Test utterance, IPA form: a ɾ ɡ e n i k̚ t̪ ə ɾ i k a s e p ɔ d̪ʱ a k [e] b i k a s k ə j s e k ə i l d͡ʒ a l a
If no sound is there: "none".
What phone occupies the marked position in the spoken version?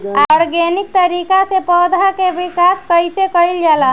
e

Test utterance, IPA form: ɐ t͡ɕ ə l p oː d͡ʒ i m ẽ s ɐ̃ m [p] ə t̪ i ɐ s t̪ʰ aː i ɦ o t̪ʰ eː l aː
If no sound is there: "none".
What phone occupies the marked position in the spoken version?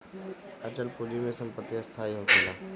p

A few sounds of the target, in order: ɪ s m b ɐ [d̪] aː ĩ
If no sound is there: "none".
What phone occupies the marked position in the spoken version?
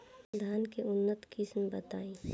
t̪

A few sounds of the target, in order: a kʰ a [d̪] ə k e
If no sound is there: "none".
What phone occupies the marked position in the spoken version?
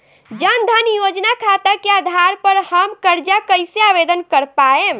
t̪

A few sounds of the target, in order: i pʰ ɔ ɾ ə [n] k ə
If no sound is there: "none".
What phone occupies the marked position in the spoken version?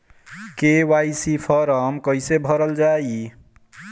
m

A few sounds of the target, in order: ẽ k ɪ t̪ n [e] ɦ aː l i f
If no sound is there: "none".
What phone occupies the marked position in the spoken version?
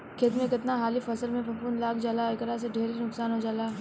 a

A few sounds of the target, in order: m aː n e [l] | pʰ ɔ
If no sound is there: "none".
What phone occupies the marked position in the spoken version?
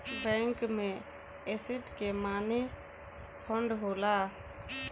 none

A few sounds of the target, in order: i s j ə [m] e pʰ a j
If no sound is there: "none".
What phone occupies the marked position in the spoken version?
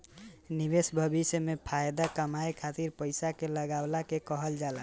m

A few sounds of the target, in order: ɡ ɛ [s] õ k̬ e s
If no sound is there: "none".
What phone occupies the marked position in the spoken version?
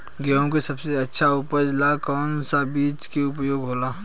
none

